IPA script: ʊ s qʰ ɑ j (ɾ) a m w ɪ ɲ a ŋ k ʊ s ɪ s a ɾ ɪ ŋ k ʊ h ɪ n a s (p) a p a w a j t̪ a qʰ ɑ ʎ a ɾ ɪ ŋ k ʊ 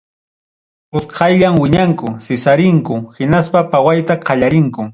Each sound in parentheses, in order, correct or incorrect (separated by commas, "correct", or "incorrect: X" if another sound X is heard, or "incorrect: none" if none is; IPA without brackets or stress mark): incorrect: ʎ, correct